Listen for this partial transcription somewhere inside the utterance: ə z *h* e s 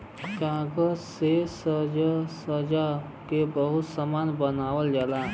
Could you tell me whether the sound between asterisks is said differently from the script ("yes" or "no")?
yes